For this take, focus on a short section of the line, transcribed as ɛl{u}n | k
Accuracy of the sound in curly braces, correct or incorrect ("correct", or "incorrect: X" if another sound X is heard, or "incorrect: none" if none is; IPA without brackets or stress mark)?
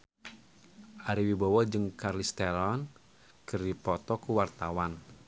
incorrect: ɔ